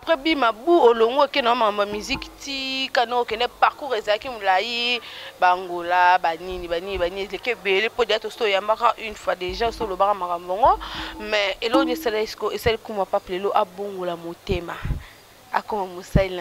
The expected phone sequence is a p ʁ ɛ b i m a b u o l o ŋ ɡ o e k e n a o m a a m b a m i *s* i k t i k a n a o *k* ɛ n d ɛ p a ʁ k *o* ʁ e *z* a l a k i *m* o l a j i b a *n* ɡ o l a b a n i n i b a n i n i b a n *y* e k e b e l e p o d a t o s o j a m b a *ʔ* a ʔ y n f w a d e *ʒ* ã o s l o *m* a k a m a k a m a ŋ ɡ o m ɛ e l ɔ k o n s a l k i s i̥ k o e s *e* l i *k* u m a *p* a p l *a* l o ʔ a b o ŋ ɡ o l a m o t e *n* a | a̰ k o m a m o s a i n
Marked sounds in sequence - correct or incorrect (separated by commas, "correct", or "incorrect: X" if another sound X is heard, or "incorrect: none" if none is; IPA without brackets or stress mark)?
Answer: incorrect: z, correct, incorrect: u, correct, correct, incorrect: ŋ, incorrect: i, incorrect: k, correct, incorrect: b, incorrect: a, correct, correct, incorrect: e, incorrect: m